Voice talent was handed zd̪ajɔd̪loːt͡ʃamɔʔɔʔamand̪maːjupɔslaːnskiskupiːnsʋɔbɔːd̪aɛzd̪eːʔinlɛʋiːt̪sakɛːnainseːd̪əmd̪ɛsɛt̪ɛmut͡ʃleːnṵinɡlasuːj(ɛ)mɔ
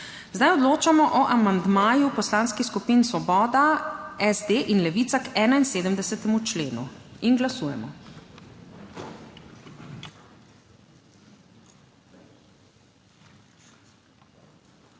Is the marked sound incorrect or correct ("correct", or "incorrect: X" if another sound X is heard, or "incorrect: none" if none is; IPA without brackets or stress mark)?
correct